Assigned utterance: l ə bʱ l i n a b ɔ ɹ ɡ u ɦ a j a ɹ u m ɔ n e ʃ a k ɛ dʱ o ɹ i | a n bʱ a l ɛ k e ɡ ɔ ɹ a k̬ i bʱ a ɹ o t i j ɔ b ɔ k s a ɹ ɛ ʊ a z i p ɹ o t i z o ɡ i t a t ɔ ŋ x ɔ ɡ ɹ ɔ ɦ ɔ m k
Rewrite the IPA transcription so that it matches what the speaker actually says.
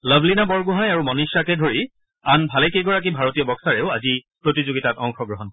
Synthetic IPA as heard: l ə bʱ l i n a b ɔ ɹ ɡ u ɦ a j a ɹ u m ɔ n i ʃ a k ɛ dʱ o ɹ i | a n bʱ a l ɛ k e ɡ ɔ ɹ a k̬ i bʱ a ɹ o t i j ɔ b ɔ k s a ɹ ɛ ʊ a z i p ɹ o t i z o ɡ i t a t ɔ ŋ x ɔ ɡ ɹ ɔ ɦ ɔ n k